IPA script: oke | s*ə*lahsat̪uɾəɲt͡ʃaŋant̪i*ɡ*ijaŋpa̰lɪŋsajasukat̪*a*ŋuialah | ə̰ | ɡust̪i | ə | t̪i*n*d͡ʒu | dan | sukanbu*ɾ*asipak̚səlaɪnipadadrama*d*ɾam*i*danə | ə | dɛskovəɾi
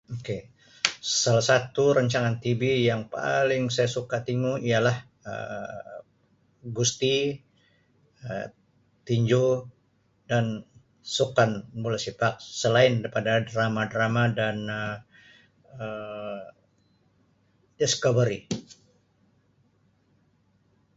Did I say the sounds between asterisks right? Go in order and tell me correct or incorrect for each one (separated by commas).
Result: incorrect, incorrect, incorrect, incorrect, incorrect, correct, incorrect